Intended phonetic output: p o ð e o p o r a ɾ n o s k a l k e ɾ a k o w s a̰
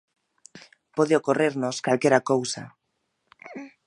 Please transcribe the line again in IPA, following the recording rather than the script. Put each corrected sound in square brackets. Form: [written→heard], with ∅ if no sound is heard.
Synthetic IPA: p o ð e o [p→k] o r [a→e] ɾ n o s k a l k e ɾ a k o w s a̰